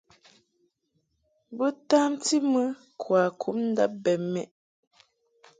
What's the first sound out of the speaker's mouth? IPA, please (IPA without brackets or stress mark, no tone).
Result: b